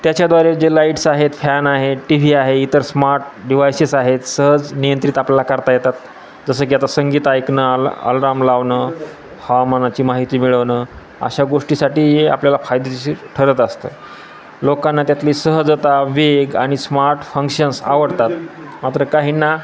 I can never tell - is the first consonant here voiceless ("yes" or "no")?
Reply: yes